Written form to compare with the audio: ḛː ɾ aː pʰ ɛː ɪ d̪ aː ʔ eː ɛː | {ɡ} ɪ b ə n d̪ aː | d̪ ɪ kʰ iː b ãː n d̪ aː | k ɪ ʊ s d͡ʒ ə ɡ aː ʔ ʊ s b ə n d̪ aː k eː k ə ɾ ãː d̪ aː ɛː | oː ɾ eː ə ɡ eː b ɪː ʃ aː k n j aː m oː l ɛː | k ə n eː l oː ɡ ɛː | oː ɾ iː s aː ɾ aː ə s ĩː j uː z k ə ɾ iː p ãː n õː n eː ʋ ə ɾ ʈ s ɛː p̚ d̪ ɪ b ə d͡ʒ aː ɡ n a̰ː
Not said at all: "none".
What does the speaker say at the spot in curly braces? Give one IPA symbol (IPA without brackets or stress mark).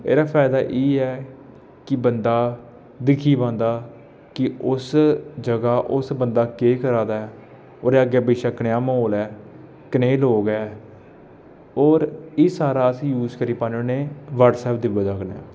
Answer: k